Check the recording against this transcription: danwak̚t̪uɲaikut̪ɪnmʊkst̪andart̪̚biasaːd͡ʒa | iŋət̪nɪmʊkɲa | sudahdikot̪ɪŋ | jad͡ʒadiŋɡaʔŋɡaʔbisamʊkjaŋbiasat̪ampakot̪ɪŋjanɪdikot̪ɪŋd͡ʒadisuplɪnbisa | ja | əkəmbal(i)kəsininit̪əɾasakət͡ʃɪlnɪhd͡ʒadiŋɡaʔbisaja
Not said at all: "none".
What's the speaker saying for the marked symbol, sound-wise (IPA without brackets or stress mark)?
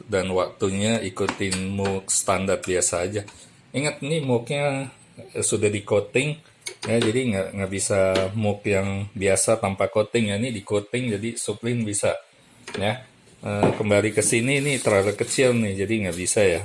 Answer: i